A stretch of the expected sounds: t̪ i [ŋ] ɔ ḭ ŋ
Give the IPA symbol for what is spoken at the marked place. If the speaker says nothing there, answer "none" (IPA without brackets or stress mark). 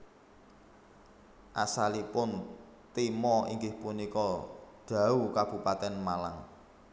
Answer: m